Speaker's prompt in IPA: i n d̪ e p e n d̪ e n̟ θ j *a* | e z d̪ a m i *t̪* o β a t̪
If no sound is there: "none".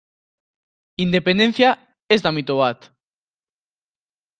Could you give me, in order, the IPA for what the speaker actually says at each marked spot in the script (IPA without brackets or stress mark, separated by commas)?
a, t̪